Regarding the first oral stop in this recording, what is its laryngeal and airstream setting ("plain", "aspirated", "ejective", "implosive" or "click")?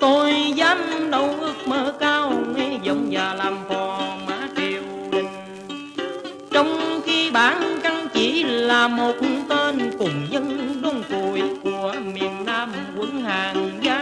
plain